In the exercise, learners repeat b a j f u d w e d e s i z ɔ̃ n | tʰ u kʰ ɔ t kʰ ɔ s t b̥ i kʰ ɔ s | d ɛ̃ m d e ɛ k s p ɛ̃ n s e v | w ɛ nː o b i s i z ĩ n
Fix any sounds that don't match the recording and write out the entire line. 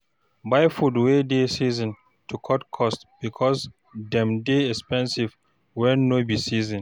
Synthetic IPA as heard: b a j f u d w e d e s i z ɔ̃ n | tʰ u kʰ ɔ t kʰ ɔ s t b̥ i kʰ ɔ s | d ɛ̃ m d e ɛ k s p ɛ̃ n s i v | w ɛ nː o b i s i z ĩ n